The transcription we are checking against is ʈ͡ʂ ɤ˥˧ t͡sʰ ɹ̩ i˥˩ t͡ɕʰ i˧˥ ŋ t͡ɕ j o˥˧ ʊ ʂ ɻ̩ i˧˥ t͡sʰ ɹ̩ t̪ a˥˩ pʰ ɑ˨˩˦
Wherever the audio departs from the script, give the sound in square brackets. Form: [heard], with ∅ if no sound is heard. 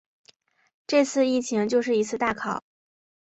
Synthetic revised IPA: ʈ͡ʂ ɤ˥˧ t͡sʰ ɹ̩ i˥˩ t͡ɕʰ i˧˥ ŋ t͡ɕ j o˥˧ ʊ ʂ ɻ̩ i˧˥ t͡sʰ ɹ̩ t̪ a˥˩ [kʰ] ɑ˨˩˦